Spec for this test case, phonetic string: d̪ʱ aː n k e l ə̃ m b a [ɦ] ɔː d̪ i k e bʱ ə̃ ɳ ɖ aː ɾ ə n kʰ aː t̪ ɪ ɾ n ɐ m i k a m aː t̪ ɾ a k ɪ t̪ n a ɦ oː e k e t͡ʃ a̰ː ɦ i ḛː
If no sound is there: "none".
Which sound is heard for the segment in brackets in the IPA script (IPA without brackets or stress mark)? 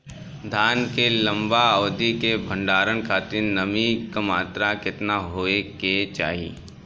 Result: none